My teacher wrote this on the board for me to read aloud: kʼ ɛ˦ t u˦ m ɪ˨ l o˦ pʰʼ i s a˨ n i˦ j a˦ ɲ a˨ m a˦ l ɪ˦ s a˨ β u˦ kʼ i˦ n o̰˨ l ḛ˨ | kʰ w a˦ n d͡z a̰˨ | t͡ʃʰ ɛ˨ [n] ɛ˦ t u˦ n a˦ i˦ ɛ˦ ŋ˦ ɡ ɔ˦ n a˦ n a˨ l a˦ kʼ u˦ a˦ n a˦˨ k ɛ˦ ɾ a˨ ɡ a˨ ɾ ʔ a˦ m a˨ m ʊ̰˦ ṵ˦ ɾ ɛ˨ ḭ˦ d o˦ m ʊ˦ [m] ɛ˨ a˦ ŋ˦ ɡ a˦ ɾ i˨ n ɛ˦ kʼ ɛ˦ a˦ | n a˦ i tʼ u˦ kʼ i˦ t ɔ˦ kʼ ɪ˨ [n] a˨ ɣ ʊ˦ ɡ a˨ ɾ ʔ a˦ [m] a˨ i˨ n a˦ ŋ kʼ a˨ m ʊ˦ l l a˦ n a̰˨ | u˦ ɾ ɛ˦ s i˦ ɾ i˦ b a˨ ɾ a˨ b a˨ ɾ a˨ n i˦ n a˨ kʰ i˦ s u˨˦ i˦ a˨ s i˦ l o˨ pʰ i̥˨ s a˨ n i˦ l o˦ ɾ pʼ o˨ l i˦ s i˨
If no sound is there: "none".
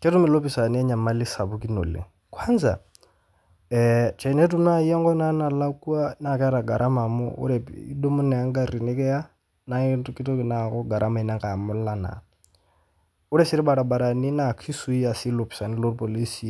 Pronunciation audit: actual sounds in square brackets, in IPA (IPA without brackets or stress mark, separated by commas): n, n, n, m